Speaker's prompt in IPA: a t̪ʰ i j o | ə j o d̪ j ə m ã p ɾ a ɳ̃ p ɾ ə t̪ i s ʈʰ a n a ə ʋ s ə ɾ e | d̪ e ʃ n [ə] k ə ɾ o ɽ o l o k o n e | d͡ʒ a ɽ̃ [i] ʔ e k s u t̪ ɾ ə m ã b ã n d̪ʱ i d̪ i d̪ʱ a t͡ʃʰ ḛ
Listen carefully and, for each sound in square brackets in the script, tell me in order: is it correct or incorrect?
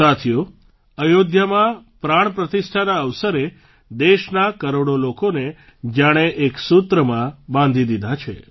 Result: incorrect: a, incorrect: e

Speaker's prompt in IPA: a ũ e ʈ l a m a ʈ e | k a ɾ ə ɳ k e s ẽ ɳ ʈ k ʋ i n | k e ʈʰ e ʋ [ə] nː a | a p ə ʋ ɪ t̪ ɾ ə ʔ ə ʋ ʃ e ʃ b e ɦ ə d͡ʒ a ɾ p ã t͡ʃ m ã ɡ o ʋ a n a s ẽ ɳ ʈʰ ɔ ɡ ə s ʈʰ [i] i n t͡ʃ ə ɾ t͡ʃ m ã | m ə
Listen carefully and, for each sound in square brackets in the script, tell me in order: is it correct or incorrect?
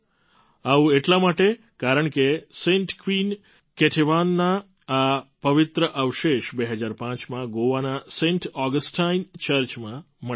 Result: incorrect: a, incorrect: a

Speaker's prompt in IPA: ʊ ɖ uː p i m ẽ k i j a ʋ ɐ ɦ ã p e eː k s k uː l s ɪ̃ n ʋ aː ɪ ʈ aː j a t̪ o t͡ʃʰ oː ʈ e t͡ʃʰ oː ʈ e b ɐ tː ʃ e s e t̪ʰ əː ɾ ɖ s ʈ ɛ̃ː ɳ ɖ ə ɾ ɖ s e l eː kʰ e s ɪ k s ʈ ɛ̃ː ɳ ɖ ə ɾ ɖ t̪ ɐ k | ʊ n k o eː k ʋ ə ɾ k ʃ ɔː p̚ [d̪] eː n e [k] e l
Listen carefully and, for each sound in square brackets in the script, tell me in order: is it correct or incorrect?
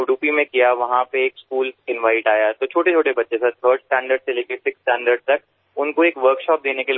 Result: correct, correct

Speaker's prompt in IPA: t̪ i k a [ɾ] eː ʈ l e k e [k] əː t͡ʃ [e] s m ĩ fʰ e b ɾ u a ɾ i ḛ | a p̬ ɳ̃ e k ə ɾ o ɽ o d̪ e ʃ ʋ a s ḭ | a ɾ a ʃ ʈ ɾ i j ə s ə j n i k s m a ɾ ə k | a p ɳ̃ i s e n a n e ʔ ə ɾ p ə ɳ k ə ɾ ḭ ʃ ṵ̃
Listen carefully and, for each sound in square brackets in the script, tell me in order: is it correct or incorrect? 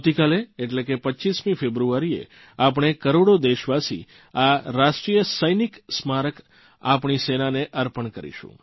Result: incorrect: l, incorrect: p, incorrect: i

